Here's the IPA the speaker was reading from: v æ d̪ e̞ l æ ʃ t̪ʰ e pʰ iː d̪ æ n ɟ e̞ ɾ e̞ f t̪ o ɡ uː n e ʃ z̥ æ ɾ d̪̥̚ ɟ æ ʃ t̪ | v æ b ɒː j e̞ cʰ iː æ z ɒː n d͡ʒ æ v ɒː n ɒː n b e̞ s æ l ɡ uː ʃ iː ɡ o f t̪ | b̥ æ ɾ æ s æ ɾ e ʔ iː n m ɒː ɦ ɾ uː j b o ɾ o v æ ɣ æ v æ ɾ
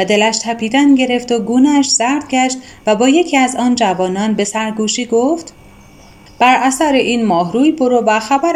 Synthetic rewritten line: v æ d̪ e̞ l æ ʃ t̪ʰ æ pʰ iː d̪ æ n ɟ e̞ ɾ e̞ f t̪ o ɡ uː n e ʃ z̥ æ ɾ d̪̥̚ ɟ æ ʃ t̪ | v æ b ɒː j e̞ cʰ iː æ z ɒː n d͡ʒ æ v ɒː n ɒː n b e̞ s æ ɾ ɡ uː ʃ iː ɡ o f t̪ | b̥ æ ɾ æ s æ ɾ e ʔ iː n m ɒː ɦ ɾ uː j b o ɾ o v æ x æ b æ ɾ